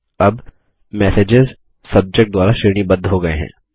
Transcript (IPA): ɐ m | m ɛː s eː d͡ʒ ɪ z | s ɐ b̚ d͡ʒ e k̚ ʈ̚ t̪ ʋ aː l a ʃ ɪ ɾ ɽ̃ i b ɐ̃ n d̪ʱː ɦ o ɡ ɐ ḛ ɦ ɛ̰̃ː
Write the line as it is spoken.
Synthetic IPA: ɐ b | m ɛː s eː d͡ʒ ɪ z | s ɐ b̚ d͡ʒ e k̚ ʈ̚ d̪ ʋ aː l a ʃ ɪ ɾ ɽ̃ i b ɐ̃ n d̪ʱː ɦ o ɡ ɐ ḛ ɦ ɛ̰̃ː

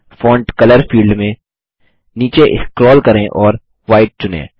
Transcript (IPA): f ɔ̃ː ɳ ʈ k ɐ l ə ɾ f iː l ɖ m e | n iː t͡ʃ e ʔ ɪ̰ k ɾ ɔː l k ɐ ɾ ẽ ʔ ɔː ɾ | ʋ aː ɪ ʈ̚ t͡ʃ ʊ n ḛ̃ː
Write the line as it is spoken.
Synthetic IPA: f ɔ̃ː ɳ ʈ k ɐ l ə ɾ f iː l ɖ m ẽ | n iː t͡ʃ e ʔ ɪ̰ k ɾ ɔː l k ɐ ɾ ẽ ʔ ɔː ɾ | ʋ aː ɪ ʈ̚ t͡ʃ ʊ n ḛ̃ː

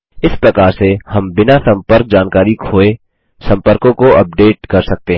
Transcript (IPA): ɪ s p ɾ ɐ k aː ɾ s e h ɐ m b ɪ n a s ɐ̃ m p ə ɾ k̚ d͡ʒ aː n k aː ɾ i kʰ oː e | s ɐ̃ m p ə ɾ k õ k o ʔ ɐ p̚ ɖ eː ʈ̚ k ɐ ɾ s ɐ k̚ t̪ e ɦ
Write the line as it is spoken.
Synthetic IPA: ɪ s p ɾ ɐ k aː ɾ s e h ɐ m b ɪ n a s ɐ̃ m p ə ɾ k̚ d͡ʒ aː n k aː ɾ i kʰ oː e | s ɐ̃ m p ə ɾ k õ k o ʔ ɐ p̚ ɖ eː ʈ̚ k ɐ ɾ s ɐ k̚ t̪ e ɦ

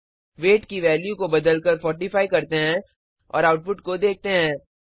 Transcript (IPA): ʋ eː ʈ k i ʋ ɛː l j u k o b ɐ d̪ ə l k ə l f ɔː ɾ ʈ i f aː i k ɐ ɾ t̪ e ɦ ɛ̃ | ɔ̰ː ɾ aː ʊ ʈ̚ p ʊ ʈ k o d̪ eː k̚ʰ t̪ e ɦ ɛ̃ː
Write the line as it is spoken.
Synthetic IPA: ʋ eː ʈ k i ʋ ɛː l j u k o b ɐ d̪ ə l k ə ɾ f ɔː ɾ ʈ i f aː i k ɐ ɾ t̪ e ɦ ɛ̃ | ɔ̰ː ɾ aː ʊ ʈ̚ p ʊ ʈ k o d̪ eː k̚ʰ t̪ e ɦ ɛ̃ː

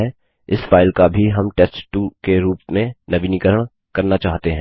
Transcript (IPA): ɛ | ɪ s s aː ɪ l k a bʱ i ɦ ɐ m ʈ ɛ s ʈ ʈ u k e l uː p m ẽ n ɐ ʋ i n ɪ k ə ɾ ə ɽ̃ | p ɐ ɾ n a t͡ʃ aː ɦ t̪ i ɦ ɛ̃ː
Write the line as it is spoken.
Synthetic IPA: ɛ | ɪ s f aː ɪ l k a bʱ i ɦ ɐ m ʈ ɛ s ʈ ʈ u k e ɾ uː p m ẽ n ɐ ʋ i n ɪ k ə ɾ ə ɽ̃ | k ɐ ɾ n a t͡ʃ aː ɦ t̪ e ɦ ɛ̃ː

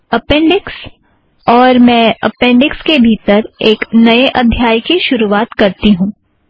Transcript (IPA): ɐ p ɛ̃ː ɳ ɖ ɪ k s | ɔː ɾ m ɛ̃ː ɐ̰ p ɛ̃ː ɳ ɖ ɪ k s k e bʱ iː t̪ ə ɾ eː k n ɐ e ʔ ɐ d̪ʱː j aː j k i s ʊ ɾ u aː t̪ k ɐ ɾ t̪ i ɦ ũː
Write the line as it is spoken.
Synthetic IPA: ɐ p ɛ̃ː ɳ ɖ ɪ k s | ɔː ɾ m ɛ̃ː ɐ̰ p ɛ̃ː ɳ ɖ ɪ k s k e bʱ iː t̪ ə ɾ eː k n ɐ e ʔ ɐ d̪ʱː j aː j k i ʃ ʊ ɾ u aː t̪ k ɐ ɾ t̪ i ɦ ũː

